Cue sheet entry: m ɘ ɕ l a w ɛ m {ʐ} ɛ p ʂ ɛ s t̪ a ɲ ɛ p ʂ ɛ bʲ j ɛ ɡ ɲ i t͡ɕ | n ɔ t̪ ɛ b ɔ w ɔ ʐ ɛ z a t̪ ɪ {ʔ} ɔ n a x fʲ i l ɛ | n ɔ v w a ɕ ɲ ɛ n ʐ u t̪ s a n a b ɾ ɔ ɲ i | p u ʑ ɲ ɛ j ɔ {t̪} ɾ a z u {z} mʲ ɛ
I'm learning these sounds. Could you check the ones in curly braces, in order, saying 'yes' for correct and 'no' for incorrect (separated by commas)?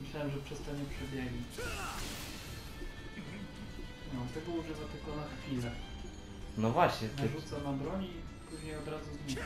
yes, no, no, yes